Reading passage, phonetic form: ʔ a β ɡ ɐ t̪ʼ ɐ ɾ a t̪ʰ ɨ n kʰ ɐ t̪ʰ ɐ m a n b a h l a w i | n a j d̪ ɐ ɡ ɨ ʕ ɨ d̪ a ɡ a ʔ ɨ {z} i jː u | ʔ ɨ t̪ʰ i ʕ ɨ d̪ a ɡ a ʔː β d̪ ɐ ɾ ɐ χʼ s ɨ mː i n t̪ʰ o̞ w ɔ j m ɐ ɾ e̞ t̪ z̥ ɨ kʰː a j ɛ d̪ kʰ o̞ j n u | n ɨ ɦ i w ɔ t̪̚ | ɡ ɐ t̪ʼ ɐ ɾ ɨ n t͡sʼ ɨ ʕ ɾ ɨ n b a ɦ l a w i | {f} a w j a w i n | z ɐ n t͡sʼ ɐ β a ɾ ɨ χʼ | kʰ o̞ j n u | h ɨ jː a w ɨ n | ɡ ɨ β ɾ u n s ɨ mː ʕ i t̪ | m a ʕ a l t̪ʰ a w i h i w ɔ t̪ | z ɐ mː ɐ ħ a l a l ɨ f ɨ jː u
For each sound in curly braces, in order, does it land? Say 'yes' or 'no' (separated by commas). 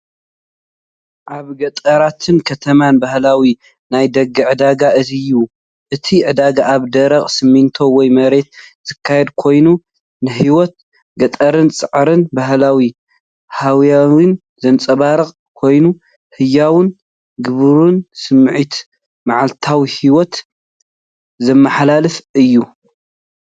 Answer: yes, no